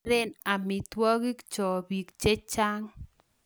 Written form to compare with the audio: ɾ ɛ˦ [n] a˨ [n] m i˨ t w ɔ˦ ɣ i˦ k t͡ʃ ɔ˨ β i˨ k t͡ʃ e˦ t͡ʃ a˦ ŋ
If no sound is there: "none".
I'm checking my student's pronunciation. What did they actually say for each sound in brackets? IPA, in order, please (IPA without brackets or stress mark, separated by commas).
n, none